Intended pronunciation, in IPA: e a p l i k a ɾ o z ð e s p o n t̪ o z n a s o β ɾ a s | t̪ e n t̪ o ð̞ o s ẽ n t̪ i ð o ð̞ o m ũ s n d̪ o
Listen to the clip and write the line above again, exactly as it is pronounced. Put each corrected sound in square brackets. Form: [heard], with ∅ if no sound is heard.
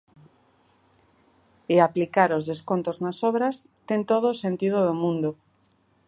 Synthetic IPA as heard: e a p l i k a ɾ o z ð e s [k] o n t̪ o z n a s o β ɾ a s | t̪ e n t̪ o ð̞ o s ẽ n t̪ i ð o ð̞ o m ũ [∅] n d̪ o